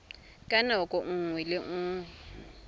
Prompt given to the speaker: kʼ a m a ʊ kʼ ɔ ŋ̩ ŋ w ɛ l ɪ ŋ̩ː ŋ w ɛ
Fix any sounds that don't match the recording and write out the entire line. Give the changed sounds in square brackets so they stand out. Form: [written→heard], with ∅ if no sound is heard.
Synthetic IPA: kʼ a [m→n] a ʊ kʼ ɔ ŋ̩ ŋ w ɛ l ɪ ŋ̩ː ŋ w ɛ